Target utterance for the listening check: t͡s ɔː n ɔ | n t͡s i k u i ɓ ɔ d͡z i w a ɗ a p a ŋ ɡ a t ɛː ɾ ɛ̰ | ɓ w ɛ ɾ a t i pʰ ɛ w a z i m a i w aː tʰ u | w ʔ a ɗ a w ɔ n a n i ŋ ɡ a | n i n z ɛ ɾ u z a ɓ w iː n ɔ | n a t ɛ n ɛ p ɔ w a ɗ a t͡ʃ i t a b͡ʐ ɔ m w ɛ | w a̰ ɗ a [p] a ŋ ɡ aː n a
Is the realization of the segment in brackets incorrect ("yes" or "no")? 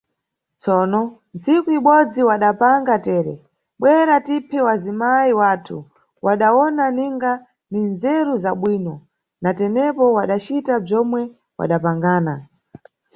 no